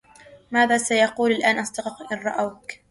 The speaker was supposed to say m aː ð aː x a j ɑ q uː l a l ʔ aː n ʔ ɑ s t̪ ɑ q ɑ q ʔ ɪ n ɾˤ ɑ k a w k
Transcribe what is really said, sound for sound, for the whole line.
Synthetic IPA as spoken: m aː ð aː s a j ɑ q uː l a l ʔ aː n ʔ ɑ s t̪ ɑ q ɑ q ʔ ɪ n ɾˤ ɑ ʔ a w k